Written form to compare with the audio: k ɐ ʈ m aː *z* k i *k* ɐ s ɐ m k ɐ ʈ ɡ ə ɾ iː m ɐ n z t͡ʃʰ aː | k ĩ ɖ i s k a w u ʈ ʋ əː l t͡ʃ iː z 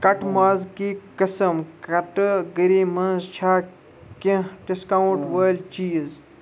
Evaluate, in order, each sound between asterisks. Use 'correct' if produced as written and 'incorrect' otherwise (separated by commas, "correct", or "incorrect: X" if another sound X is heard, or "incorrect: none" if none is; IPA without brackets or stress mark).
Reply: correct, correct